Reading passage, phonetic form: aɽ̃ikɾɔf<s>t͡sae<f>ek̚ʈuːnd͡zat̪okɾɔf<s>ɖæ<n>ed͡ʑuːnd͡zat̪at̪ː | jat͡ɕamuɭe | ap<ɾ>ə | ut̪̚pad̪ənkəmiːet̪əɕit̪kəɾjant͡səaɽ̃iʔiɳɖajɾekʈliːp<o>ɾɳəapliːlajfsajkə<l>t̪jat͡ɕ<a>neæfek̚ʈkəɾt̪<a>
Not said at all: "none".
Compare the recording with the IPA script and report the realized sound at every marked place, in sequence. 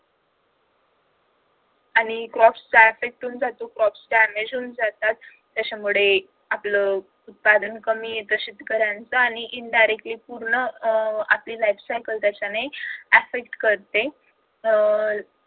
s, f, s, m, l, u, l, a, e

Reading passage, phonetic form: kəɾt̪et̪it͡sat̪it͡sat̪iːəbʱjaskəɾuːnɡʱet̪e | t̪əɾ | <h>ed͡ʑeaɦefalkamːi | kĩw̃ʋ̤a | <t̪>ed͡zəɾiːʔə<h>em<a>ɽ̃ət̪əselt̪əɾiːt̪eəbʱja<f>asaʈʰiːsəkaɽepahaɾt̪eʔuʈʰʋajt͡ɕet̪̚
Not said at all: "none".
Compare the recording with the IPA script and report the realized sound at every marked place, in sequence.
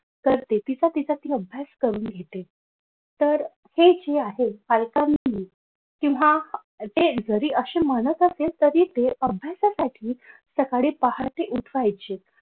h, t̪, ɕ, ə, s

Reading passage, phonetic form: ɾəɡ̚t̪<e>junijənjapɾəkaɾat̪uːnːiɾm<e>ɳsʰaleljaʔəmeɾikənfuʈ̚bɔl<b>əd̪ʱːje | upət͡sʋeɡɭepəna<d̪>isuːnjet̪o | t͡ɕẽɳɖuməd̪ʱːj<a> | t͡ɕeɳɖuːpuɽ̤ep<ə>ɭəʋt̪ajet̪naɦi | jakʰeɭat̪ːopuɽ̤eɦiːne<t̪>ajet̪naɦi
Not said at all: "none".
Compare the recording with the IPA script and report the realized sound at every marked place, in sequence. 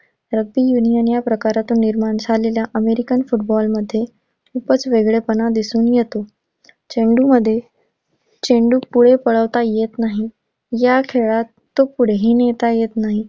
i, a, m, d̪, e, ə, t̪

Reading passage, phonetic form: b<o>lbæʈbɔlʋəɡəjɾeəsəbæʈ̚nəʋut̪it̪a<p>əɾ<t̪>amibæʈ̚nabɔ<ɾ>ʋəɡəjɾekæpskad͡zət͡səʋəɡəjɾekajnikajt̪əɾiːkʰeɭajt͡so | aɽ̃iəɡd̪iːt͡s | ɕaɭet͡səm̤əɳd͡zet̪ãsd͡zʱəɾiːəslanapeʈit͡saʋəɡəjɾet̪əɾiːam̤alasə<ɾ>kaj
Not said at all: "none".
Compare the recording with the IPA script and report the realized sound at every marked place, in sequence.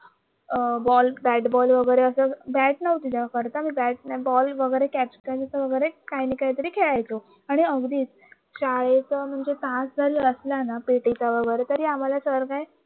ɔ, k, t̪, l, ɾ

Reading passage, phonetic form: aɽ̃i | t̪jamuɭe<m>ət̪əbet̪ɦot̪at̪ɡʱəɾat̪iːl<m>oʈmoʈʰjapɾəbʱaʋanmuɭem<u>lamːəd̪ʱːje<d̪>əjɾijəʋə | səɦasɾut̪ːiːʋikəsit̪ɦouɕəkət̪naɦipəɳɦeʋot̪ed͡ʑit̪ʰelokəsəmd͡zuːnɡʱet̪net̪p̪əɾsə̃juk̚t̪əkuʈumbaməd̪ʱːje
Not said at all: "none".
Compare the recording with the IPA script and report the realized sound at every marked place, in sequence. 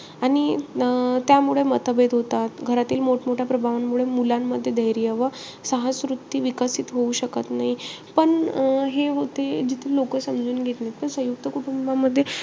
m, m, u, d̪

